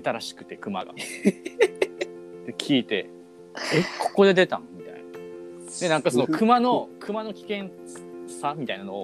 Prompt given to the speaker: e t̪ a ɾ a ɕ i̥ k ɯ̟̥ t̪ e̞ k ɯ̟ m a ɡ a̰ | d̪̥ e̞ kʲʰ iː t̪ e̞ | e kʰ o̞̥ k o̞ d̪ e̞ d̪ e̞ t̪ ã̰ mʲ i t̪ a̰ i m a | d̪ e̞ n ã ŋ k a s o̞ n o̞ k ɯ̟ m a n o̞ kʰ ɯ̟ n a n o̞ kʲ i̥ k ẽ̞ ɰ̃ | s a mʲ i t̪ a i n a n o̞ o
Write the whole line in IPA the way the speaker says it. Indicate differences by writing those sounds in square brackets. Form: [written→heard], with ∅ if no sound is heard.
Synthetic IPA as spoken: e t̪ a ɾ a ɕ i̥ k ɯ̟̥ t̪ e̞ k ɯ̟ m a ɡ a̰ | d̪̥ e̞ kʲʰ iː t̪ e̞ | e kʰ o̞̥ k o̞ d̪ e̞ d̪ e̞ t̪ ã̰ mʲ i t̪ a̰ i [m→n] a | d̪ e̞ n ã ŋ k a s o̞ n o̞ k ɯ̟ m a n o̞ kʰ ɯ̟ [n→m] a n o̞ kʲ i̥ k ẽ̞ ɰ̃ | s a mʲ i t̪ a i n a n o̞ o